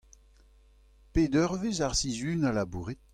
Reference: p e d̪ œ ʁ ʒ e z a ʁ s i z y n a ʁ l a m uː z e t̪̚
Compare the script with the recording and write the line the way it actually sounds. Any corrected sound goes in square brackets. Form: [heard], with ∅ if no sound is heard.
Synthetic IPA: p e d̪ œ ʁ [v] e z a ʁ s i z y n a [∅] l a [b] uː [ʁ] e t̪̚